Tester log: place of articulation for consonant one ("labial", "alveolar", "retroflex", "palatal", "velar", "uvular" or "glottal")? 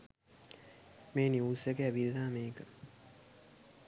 labial